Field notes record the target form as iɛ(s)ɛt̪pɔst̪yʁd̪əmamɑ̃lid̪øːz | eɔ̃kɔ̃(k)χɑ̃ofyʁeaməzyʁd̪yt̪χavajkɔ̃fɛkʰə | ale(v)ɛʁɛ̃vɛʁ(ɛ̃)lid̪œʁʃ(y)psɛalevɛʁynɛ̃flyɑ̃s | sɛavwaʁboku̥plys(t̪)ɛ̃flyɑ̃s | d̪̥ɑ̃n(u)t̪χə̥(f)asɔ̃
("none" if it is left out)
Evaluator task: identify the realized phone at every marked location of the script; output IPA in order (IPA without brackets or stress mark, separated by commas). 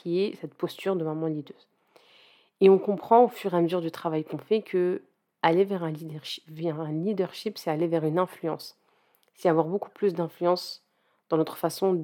s, p, v, ɛ̃, i, d̪, ɔ, f